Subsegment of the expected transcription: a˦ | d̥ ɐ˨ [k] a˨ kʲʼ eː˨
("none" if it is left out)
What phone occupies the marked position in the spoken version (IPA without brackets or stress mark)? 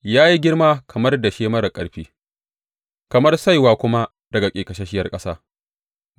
ɡ